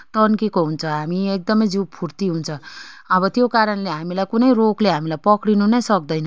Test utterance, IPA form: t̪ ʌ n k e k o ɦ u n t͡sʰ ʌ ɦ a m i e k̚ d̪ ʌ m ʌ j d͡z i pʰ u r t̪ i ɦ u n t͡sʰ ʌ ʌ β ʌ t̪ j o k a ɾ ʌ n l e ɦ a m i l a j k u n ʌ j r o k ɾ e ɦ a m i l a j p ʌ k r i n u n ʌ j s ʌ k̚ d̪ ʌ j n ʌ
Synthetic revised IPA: t̪ ʌ n k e k o ɦ u n t͡sʰ ʌ ɦ a m i e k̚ d̪ ʌ m ʌ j d͡z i pʰ u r t̪ i ɦ u n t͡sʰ ʌ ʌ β ʌ t̪ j o k a ɾ ʌ n l e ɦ a m i l a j k u n ʌ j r o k l e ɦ a m i l a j p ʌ k ɽ i n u n ʌ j s ʌ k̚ d̪ ʌ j n ʌ